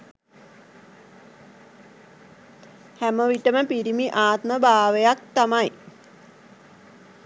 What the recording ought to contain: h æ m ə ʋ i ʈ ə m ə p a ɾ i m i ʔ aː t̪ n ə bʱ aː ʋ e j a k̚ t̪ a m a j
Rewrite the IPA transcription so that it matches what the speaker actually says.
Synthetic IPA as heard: h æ m ə ʋ i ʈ ə m ə p i ɾ i m i ʔ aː t̪ m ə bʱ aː ʋ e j a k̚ t̪ a m a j